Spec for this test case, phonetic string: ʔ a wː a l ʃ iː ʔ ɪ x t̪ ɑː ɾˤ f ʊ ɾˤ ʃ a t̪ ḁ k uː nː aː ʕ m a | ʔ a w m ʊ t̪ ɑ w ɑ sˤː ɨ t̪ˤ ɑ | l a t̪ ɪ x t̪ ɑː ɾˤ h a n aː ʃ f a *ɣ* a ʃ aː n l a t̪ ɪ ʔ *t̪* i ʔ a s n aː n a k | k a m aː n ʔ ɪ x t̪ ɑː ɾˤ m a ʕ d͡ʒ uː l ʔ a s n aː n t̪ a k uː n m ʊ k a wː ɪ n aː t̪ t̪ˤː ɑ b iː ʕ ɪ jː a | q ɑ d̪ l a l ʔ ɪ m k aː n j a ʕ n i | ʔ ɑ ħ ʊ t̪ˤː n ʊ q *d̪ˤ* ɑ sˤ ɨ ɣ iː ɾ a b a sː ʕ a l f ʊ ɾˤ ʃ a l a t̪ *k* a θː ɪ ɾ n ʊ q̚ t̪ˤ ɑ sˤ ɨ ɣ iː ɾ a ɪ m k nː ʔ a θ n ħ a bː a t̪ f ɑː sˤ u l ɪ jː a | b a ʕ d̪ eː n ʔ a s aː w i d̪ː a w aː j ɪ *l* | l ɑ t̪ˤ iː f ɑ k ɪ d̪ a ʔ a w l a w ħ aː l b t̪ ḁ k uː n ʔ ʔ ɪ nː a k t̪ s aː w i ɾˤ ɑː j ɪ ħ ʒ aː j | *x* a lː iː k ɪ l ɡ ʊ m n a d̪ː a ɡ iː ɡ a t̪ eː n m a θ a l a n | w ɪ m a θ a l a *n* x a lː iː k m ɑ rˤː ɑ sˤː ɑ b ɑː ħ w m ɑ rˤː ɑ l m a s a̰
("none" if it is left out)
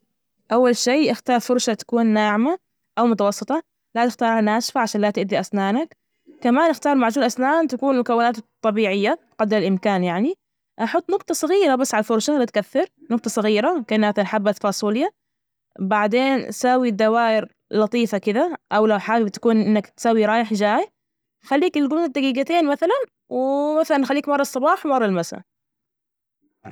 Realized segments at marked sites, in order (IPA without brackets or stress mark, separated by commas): ʕ, d̪, t̪ˤ, k, ɾ, x, n